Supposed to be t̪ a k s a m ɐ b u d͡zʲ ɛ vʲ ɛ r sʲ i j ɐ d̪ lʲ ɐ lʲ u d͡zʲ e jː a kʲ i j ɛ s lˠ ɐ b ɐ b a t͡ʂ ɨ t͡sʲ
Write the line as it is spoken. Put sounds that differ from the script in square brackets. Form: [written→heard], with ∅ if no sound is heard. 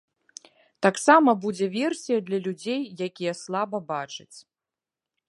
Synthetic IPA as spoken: t̪ a k s a m ɐ b u d͡zʲ ɛ vʲ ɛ r sʲ i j ɐ d̪ lʲ ɐ lʲ u d͡zʲ e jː a kʲ i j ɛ s lˠ [ɐ→a] b ɐ b a t͡ʂ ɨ t͡sʲ